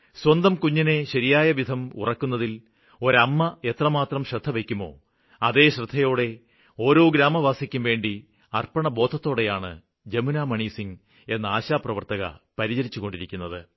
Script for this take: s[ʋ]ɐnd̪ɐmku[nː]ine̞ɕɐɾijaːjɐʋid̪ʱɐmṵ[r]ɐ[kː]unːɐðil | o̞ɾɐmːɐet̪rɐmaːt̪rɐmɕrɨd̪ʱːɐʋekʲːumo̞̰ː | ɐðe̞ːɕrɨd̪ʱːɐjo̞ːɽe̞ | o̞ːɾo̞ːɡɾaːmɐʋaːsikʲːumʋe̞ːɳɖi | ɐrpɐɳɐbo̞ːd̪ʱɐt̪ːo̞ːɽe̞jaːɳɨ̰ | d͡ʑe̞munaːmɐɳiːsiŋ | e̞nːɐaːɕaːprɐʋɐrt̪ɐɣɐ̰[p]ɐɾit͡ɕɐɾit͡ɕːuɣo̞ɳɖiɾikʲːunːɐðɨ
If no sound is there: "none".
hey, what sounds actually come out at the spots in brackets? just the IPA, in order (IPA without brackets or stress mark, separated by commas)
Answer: w, ɲː, r, kː, p